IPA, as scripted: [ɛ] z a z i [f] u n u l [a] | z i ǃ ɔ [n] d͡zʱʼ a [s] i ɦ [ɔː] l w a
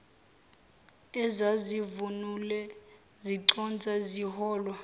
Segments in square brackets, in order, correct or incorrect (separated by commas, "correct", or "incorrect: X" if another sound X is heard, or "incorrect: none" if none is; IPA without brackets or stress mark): correct, incorrect: v, incorrect: ɛ, correct, incorrect: z, correct